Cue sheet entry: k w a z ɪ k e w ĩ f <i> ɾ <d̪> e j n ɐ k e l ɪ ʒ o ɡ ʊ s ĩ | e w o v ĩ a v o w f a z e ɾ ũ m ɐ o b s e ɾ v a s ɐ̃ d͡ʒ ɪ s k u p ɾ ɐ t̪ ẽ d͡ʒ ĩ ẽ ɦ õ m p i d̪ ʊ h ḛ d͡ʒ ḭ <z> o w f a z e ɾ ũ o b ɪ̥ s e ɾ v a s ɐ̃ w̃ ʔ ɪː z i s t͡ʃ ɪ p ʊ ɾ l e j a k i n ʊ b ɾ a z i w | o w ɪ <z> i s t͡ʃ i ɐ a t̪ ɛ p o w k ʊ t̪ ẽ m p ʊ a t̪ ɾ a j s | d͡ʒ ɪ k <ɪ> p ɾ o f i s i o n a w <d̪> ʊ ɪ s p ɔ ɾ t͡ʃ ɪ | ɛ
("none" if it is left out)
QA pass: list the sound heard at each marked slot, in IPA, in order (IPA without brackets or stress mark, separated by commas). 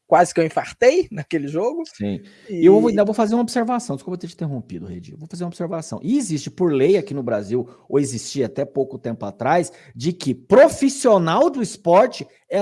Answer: a, t̪, v, z, ɪ, d̪